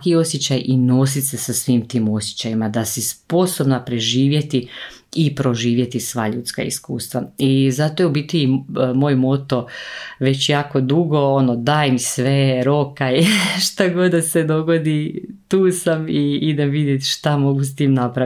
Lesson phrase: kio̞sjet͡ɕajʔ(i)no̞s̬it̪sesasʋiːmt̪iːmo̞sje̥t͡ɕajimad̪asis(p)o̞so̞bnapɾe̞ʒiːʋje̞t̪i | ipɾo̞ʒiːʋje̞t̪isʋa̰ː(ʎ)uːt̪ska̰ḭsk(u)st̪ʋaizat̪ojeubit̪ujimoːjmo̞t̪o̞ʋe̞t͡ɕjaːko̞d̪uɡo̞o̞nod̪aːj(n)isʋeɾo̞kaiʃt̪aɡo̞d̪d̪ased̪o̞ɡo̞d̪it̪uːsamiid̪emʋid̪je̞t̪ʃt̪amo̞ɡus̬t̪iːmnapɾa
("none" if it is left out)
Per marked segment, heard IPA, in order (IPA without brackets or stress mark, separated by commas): i, p, ʎ, uː, m